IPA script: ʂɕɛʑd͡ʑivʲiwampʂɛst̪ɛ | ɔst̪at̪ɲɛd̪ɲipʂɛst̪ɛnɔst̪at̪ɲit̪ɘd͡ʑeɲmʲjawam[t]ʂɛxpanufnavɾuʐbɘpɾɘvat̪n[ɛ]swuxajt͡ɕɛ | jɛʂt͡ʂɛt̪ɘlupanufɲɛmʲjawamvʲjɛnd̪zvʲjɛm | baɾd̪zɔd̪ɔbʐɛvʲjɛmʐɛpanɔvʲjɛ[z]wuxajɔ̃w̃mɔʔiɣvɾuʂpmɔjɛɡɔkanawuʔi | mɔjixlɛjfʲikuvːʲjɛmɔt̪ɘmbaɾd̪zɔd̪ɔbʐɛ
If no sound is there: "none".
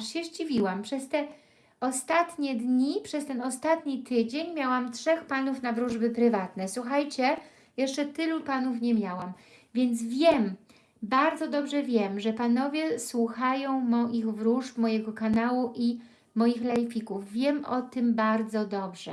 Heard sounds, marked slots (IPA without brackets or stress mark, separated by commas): t, ɛ, s